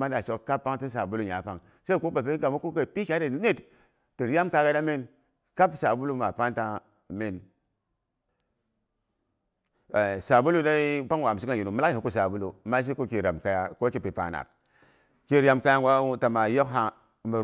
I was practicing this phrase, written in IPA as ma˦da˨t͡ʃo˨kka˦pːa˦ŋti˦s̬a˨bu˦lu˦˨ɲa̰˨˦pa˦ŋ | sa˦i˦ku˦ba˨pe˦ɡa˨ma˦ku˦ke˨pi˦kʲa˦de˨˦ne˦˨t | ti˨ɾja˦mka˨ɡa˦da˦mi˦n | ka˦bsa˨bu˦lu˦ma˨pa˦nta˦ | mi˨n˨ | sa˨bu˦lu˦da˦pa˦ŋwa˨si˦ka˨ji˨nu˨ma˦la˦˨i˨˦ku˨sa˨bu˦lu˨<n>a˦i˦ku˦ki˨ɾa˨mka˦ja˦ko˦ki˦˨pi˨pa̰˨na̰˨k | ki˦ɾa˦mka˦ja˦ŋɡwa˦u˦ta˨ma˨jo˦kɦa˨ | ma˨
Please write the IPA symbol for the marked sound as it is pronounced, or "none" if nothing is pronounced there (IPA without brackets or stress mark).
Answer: m